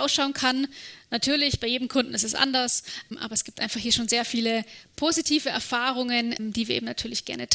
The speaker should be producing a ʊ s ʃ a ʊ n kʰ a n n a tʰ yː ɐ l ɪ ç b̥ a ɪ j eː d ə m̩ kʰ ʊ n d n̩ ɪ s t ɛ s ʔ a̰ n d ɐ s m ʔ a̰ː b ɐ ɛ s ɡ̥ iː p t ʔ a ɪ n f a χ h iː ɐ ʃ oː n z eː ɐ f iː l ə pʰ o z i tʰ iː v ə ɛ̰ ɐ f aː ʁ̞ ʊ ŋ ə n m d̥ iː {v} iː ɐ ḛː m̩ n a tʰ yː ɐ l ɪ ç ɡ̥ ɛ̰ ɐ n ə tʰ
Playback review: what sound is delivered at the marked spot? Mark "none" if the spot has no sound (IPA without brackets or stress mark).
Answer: v